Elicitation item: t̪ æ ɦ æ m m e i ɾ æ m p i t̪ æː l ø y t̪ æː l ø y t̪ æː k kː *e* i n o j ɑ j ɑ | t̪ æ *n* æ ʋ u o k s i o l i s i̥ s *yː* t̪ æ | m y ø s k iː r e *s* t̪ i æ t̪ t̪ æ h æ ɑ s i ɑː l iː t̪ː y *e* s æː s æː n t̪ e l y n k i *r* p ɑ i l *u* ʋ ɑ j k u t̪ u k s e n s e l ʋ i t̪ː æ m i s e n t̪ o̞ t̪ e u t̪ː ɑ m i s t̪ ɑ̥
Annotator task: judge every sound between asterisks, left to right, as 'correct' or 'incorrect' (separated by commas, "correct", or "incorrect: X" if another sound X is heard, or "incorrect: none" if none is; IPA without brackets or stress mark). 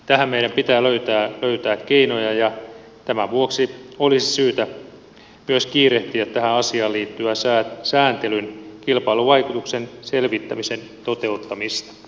correct, incorrect: m, correct, incorrect: h, incorrect: æ, incorrect: l, correct